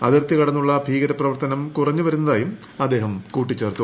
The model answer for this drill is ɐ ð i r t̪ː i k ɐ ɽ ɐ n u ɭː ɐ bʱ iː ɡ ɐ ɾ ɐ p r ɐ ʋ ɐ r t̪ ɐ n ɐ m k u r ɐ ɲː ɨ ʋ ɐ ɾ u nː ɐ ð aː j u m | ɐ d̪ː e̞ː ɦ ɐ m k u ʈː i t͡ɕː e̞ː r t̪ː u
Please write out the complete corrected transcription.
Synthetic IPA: ɐ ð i r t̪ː i k ɐ ɽ ɐ nː u ɭː ɐ bʱ iː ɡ ɐ ɾ ɐ p r ɐ ʋ ɐ r t̪ ɐ n ɐ m k u r ɐ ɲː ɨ ʋ ɐ ɾ u nː ɐ ð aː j u m | ɐ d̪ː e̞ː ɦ ɐ m k uː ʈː i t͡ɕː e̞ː r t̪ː u